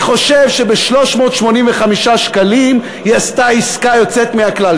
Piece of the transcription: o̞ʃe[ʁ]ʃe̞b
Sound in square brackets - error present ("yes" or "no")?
yes